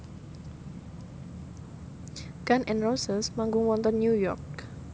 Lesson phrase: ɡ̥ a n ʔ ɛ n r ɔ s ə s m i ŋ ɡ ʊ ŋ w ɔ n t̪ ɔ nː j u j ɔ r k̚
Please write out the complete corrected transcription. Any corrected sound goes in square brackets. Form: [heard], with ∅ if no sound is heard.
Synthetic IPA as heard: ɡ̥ a n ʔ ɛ n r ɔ s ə s m [a] ŋ ɡ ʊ ŋ w ɔ n t̪ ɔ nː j u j ɔ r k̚